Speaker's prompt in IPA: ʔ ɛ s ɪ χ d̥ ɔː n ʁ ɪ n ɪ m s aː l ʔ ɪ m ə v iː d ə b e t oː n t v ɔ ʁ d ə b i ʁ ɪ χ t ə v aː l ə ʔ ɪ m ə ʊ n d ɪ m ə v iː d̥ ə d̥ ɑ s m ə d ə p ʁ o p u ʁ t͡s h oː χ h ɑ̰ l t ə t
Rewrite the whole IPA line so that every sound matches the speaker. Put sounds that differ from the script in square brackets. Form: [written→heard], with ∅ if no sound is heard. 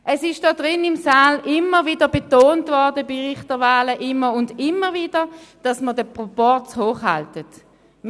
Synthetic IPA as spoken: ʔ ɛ s ɪ [χ→ʃ] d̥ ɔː [n→d] ʁ ɪ n ɪ m s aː l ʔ ɪ m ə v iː d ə b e t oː n t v ɔ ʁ d ə b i ʁ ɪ χ t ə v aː l ə ʔ ɪ m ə ʊ n d ɪ m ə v iː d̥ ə d̥ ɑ s m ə d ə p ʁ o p [u→ɔ] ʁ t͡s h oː χ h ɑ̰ l t ə t